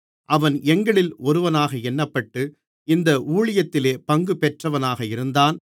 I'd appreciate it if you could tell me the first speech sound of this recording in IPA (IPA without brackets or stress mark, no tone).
ʔ